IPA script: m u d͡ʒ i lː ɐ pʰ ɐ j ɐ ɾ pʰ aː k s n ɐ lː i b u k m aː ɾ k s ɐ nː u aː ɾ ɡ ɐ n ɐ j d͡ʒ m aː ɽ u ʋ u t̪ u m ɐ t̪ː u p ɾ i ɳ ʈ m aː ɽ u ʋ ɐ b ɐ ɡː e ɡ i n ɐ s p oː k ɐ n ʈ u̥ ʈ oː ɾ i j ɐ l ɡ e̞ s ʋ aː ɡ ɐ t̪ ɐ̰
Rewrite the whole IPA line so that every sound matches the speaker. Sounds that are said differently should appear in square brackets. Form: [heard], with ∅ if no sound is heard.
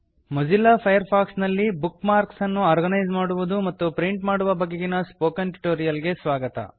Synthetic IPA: m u d͡ʒ i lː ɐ pʰ ɐ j ɐ ɾ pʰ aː k s n ɐ lː i b u k m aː ɾ k s ɐ nː u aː ɾ ɡ ɐ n ɐ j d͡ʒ m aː ɽ u ʋ u [d̪] u m ɐ t̪ː u p ɾ i ɳ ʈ m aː ɽ u ʋ ɐ b ɐ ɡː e ɡ i n ɐ s p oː k ɐ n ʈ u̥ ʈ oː ɾ i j ɐ l ɡ e̞ s ʋ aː ɡ ɐ t̪ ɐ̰